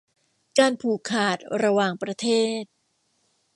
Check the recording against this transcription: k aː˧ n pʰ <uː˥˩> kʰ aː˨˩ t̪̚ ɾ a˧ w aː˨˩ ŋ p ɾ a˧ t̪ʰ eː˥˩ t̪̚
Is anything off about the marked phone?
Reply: yes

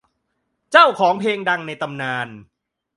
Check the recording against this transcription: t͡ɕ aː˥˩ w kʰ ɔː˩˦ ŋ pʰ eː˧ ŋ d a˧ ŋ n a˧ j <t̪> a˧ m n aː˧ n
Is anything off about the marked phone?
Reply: no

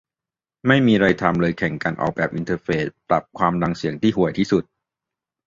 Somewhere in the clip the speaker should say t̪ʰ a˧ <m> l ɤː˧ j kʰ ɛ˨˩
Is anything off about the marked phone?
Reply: no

